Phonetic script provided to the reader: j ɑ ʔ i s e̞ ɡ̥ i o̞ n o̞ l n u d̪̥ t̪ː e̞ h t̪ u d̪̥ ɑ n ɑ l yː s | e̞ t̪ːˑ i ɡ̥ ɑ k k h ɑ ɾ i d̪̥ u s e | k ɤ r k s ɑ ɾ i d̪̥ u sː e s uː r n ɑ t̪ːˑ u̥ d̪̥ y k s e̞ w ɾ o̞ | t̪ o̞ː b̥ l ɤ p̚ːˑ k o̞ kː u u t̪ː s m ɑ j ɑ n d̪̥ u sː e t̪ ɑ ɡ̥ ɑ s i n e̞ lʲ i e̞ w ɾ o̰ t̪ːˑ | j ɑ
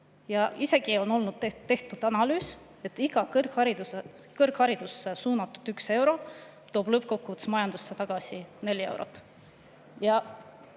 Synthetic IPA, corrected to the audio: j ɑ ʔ i s e̞ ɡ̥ i o̞ n o̞ l n u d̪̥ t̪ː e̞ h t̪ u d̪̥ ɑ n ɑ l yː s | e̞ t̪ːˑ i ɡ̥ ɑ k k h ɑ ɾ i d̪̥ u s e | k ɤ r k h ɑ ɾ i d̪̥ u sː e s uː n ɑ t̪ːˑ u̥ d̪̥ y k s e̞ w ɾ o̞ | t̪ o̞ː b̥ l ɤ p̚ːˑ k o̞ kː u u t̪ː s m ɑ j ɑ n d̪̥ u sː e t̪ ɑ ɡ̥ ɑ s i n e̞ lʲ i e̞ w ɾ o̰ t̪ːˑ | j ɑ